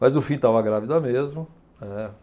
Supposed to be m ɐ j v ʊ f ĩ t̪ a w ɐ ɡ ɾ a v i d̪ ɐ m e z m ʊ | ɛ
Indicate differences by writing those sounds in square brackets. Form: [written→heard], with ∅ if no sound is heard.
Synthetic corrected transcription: m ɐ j [v→z] ʊ f ĩ t̪ a [w→v] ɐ ɡ ɾ a v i d̪ ɐ m e z m ʊ | ɛ

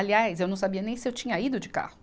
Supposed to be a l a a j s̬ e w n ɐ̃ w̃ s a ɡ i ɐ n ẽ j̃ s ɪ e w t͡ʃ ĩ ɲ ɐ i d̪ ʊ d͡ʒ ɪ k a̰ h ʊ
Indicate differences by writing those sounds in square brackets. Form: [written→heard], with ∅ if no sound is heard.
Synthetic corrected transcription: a l [a→i] a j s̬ e w n ɐ̃ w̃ s a [ɡ→b] i ɐ n ẽ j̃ s ɪ e w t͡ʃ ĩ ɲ ɐ i d̪ ʊ d͡ʒ ɪ k a̰ h ʊ

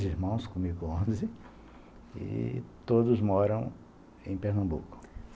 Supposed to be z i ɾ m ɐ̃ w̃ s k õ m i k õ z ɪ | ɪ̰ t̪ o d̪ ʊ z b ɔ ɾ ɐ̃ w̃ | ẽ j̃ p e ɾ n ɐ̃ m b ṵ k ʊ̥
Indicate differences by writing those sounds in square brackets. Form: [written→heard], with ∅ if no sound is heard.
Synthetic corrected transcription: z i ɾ m ɐ̃ w̃ s k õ m i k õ z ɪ | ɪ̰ t̪ o d̪ ʊ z [b→m] ɔ ɾ ɐ̃ w̃ | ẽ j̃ p e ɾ n ɐ̃ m b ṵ k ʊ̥

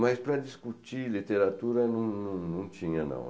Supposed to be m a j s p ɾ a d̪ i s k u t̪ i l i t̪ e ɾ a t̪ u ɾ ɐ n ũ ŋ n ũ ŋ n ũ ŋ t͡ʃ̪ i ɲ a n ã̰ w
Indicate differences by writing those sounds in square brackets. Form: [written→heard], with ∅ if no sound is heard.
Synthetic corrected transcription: m a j s p ɾ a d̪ i s k u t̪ i l i t̪ e ɾ a t̪ u ɾ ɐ n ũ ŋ n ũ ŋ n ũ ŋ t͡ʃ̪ i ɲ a n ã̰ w

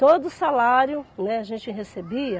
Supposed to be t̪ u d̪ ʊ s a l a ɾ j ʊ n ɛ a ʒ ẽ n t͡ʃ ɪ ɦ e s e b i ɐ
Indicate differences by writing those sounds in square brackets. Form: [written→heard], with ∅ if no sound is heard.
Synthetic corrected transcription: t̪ [u→o] d̪ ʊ s a l a ɾ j ʊ n ɛ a ʒ ẽ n t͡ʃ ɪ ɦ e s e b i ɐ

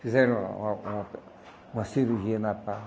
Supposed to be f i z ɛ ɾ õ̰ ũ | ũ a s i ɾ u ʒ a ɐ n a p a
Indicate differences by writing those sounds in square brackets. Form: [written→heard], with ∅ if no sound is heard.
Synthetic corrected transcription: f i z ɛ ɾ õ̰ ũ | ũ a s i ɾ u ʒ [a→i] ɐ n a p a

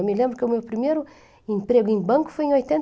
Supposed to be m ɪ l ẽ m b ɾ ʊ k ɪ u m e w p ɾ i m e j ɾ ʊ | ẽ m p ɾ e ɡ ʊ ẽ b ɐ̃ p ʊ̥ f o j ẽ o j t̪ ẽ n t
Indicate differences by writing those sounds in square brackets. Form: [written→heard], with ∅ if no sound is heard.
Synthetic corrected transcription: m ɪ l ẽ m b ɾ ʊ k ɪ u m e w p ɾ i m e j ɾ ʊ | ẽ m p ɾ e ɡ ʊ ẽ b ɐ̃ [p→k] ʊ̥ f o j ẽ o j t̪ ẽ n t

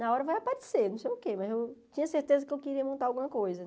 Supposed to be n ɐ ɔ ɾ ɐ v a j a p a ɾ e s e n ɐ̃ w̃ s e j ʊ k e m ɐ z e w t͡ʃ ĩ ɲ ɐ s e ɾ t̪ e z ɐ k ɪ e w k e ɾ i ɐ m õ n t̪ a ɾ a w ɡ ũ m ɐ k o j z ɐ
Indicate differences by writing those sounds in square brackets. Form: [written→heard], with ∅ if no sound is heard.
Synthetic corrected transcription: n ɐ ɔ ɾ ɐ v a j a p a ɾ e s e n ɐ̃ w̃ s e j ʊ k e m ɐ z e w t͡ʃ ĩ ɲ ɐ s e ɾ t̪ e z ɐ k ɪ e w k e ɾ i ɐ m õ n t̪ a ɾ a w ɡ ũ m ɐ k o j z ɐ

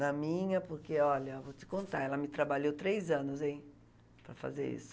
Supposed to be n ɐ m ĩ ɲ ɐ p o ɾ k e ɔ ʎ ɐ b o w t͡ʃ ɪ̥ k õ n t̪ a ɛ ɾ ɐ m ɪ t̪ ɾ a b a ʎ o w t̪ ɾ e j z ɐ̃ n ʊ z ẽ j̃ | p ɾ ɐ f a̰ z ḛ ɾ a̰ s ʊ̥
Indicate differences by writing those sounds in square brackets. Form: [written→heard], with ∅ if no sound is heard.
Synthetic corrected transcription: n ɐ m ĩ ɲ ɐ p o ɾ k e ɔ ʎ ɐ [b→v] o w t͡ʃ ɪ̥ k õ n t̪ a ɛ [ɾ→l] ɐ m ɪ t̪ ɾ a b a ʎ o w t̪ ɾ e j z ɐ̃ n ʊ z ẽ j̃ | p ɾ ɐ f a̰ z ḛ ɾ [a̰→ḭ] s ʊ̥

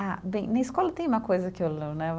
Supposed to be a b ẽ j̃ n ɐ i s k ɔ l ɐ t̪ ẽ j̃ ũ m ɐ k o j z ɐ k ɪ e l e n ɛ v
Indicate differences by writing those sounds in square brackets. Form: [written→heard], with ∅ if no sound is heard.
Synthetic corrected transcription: a b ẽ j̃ n ɐ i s k ɔ l ɐ t̪ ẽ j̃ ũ m ɐ k o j z ɐ k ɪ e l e n ɛ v

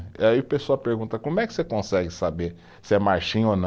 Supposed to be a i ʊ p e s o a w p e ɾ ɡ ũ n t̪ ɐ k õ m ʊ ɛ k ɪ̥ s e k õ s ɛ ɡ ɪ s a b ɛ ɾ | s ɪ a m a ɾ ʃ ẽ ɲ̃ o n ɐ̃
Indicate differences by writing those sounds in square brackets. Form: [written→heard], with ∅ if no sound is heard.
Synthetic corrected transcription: a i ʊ p e s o a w p e ɾ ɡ ũ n t̪ ɐ k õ m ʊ ɛ k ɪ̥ s e k õ s ɛ ɡ ɪ s a b [ɛ→e] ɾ | s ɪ [a→ɛ] m a ɾ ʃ [ẽ→ĩ] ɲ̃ o n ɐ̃

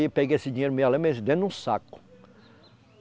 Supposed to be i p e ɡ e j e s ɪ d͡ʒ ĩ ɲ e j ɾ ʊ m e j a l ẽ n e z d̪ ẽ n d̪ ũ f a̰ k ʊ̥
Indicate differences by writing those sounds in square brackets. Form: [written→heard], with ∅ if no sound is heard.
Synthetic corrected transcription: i p e ɡ e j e s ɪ d͡ʒ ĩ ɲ e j ɾ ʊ m e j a l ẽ [n→m] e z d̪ ẽ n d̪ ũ [f→s] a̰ k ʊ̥

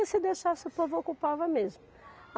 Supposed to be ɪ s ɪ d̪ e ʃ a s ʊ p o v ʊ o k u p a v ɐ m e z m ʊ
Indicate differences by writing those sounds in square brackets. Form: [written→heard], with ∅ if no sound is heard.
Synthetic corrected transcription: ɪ s ɪ d̪ e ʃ a s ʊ p o v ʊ o k u p a v ɐ m e z m ʊ

